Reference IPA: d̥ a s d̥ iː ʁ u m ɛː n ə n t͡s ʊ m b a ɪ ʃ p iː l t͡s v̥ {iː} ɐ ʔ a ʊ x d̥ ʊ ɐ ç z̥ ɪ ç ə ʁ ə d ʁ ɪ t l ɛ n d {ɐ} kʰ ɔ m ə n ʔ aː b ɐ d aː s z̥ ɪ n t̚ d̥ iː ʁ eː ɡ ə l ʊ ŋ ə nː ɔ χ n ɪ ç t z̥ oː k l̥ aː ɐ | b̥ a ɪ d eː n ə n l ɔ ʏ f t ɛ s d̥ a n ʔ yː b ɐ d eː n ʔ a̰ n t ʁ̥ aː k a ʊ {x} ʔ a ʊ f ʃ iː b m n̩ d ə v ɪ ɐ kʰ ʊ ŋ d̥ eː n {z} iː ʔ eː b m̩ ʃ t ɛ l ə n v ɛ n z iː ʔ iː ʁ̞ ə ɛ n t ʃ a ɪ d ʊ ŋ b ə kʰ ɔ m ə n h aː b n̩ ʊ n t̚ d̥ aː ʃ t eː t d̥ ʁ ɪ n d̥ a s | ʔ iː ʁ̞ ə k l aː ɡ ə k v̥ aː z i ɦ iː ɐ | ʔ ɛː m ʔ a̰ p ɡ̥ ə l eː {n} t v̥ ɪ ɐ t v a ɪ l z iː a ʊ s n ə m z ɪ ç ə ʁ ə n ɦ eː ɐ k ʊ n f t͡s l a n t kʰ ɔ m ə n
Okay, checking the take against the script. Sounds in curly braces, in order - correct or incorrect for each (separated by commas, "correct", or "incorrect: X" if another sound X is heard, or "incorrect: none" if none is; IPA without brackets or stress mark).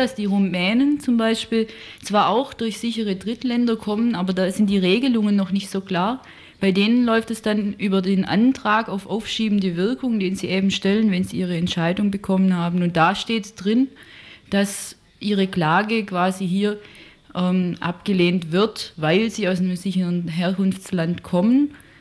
incorrect: aː, correct, incorrect: f, correct, correct